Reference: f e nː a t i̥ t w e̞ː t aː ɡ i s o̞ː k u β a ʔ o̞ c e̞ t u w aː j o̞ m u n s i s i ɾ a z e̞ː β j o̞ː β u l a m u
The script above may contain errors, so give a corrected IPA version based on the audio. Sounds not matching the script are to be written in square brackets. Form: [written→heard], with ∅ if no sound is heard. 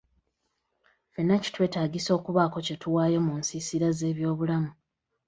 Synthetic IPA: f e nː a [t→c] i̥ t w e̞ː t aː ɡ i s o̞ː k u β a [ʔ→k] o̞ c e̞ t u w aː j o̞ m u n s i s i ɾ a z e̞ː β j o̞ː β u l a m u